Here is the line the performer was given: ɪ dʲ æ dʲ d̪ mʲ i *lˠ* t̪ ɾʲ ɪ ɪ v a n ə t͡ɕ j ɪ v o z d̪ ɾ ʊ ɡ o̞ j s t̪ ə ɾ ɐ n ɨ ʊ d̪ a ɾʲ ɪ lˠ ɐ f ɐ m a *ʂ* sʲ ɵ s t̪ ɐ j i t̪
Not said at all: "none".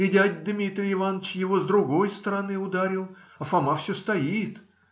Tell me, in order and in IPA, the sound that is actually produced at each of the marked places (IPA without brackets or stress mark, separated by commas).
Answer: none, f